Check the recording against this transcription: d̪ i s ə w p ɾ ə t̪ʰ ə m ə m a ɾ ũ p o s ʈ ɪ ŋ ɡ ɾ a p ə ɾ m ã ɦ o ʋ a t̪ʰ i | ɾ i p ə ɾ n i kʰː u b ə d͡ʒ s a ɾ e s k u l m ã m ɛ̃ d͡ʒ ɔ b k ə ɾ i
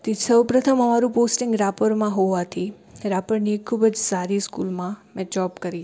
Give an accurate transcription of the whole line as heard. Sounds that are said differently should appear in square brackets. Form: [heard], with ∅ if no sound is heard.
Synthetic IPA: [t̪] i s ə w p ɾ ə t̪ʰ ə m ə m a ɾ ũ p o s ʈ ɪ ŋ ɡ ɾ a p ə ɾ m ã ɦ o ʋ a t̪ʰ i | ɾ [a] p ə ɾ n i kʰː u b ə d͡ʒ s a ɾ [i] s k u l m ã m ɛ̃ d͡ʒ ɔ b k ə ɾ i